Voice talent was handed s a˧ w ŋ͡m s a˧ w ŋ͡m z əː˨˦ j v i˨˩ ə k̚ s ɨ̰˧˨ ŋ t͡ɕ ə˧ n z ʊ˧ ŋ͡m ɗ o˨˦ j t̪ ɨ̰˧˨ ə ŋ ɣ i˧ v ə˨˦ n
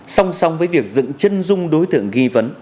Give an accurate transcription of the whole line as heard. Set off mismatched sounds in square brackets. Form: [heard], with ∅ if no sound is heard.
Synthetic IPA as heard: s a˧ w ŋ͡m s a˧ w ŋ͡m [v] əː˨˦ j v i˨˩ ə k̚ [z] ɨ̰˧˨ ŋ t͡ɕ ə˧ n z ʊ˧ ŋ͡m ɗ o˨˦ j t̪ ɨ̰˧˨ ə ŋ ɣ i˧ v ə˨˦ n